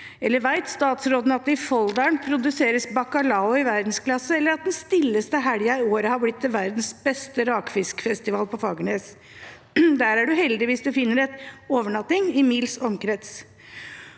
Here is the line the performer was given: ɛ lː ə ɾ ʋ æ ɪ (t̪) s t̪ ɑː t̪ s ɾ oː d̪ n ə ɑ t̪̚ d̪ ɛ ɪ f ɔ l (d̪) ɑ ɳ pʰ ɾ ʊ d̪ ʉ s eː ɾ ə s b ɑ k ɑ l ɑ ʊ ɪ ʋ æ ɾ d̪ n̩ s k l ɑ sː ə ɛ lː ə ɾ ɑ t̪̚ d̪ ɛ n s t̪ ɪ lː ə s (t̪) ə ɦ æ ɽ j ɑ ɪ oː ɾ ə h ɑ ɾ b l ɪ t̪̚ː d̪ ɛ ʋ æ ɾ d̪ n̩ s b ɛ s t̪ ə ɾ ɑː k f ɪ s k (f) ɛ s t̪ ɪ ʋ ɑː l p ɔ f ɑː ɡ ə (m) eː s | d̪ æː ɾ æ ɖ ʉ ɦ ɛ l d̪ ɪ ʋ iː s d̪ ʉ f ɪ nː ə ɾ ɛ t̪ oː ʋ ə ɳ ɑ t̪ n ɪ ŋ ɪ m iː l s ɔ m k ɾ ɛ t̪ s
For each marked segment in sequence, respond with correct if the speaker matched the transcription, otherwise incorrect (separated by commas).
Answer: correct, correct, correct, correct, incorrect